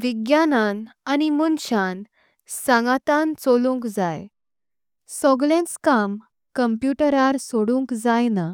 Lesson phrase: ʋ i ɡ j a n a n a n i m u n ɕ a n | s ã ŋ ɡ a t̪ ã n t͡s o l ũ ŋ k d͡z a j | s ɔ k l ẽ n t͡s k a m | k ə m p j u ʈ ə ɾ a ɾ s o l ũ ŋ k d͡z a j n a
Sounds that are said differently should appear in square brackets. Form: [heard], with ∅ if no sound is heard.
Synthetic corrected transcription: ʋ i ɡ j a n a n a n i m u n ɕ a n | s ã ŋ ɡ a t̪ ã n t͡s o l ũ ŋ k d͡z a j | s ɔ [ɡ] l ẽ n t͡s k a m | k ə m p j u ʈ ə ɾ a ɾ s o [ɽ] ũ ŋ k d͡z a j n a